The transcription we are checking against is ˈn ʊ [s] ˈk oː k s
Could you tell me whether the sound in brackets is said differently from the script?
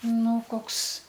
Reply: yes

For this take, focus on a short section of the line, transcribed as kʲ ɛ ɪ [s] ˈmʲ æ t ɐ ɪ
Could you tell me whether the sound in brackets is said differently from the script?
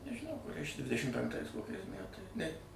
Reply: no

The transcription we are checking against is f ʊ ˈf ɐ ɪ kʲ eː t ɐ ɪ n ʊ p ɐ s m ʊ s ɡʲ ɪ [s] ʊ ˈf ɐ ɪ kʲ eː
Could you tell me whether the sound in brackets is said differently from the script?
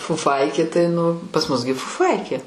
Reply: yes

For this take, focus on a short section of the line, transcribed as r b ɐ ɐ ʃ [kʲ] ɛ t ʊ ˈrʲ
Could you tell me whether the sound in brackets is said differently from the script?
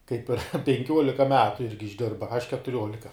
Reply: no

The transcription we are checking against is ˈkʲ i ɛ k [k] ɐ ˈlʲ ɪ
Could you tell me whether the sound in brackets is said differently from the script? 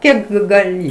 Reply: yes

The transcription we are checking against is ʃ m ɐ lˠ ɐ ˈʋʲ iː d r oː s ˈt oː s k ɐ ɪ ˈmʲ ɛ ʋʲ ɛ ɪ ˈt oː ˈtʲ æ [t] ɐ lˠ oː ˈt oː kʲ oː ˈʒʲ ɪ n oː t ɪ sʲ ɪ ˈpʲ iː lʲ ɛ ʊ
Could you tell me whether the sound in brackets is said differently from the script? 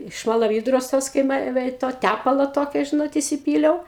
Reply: yes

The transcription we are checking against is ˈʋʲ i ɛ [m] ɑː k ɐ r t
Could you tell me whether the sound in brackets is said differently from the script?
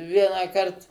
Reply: yes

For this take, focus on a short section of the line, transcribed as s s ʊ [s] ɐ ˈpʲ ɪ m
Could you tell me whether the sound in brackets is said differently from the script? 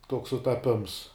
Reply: yes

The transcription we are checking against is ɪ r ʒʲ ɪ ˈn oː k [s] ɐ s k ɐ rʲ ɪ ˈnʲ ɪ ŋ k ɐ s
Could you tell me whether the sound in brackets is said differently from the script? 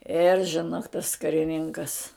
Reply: yes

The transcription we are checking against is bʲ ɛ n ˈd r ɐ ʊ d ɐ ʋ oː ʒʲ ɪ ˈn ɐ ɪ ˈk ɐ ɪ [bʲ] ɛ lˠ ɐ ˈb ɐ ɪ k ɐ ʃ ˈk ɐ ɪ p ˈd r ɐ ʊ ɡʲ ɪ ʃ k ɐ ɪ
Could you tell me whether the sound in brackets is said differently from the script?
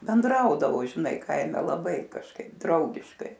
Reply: yes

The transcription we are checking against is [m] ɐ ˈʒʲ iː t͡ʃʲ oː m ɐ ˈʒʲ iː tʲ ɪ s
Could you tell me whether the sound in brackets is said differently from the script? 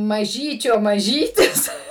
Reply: no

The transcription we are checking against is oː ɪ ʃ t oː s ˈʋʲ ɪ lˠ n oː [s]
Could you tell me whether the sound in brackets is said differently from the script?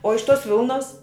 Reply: no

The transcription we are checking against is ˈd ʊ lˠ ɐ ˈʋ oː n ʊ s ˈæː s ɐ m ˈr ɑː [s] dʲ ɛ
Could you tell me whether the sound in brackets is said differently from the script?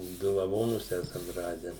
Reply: yes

